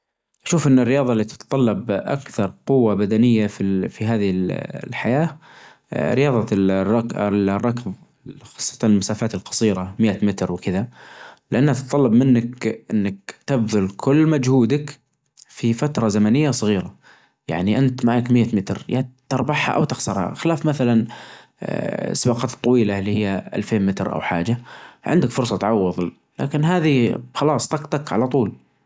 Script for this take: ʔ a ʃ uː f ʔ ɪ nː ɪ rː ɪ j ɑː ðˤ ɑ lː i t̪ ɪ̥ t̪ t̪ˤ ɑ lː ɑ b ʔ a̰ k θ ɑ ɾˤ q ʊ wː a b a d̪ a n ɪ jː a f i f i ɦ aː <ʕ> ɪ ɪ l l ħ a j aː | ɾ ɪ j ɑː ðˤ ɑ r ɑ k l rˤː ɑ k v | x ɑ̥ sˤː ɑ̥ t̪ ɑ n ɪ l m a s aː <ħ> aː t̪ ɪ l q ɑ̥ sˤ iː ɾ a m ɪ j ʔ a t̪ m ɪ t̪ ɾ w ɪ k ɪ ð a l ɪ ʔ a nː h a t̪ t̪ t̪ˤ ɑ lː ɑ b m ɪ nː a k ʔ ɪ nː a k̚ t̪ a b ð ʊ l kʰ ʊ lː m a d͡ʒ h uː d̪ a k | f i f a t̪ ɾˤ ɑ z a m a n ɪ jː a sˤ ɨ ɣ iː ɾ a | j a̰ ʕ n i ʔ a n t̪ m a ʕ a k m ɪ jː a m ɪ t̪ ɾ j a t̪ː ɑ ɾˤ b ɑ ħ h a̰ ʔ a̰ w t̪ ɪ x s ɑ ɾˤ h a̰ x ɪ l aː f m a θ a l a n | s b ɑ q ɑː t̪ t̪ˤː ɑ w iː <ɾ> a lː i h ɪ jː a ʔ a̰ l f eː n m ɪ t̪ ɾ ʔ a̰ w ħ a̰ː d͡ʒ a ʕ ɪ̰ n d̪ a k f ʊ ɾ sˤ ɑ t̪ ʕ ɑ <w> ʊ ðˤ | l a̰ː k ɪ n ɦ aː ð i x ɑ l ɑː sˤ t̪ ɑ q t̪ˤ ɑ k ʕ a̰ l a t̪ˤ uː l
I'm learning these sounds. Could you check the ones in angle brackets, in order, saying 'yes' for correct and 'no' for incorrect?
no, no, no, no

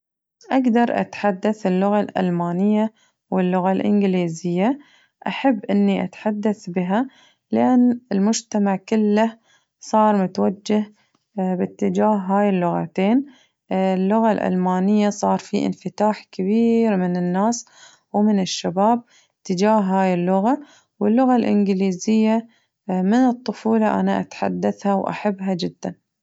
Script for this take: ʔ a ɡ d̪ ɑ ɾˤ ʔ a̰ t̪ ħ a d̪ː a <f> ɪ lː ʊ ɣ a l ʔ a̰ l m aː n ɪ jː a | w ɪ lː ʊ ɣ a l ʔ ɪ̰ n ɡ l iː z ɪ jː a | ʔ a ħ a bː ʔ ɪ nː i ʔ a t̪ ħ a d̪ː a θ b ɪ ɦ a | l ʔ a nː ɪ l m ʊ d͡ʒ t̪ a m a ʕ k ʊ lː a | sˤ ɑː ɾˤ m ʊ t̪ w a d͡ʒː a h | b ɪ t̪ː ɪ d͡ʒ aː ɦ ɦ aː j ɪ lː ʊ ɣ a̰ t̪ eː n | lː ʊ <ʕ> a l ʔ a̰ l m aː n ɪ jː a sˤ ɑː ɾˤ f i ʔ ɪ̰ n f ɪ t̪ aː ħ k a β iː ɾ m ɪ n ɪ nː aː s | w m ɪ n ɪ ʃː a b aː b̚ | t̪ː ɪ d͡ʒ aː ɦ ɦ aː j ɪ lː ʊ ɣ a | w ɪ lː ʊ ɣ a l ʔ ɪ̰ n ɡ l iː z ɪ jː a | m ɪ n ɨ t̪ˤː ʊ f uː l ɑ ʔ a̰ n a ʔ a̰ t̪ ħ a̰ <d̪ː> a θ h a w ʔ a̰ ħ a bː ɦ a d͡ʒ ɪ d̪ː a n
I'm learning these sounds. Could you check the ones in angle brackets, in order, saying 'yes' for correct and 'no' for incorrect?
no, no, yes

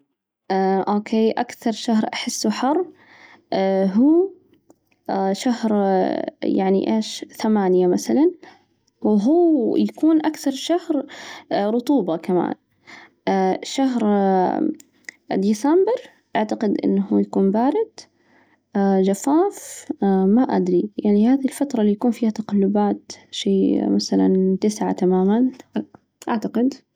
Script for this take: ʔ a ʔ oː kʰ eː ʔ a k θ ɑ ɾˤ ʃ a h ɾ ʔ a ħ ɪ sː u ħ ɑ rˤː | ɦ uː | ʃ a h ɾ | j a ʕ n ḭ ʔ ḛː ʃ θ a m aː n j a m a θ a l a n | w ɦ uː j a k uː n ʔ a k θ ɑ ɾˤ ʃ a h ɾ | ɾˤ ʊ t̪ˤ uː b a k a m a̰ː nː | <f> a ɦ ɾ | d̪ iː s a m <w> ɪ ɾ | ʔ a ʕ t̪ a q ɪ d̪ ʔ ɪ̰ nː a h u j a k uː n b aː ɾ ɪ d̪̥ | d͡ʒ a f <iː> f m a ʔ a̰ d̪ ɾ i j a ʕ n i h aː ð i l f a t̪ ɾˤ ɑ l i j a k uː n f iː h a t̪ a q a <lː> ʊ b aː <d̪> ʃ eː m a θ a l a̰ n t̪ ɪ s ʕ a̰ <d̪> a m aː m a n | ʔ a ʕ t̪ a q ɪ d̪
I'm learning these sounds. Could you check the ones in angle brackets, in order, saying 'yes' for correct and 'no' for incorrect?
no, no, no, yes, no, no

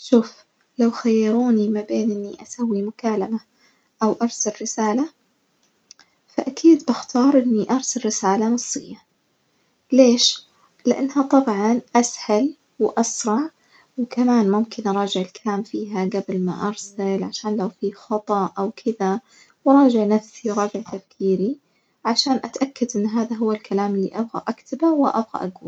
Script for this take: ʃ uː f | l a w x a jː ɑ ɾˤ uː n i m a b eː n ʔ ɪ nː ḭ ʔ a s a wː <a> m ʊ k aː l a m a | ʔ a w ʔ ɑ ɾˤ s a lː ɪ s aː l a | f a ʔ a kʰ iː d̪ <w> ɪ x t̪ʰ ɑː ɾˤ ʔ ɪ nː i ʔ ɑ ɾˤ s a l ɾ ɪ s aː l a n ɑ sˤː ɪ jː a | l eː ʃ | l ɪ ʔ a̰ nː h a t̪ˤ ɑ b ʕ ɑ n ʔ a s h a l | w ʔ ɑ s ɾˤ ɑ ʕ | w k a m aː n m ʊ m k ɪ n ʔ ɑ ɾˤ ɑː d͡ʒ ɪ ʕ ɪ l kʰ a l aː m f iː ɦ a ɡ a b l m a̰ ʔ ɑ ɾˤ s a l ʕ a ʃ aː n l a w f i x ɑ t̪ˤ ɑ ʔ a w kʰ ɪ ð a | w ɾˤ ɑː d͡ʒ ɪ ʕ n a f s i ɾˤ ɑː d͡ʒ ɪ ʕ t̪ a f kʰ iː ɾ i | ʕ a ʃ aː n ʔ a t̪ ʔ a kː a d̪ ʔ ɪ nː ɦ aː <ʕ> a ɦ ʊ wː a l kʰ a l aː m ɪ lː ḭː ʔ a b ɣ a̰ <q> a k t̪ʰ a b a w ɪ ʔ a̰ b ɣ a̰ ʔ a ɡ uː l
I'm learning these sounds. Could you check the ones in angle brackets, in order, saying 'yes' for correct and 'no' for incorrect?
no, no, no, no

